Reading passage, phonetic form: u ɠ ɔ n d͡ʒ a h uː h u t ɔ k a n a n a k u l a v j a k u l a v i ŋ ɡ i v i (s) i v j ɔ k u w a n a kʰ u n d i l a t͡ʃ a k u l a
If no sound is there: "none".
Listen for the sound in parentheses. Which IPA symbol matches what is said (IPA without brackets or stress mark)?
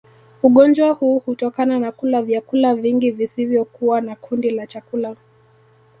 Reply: s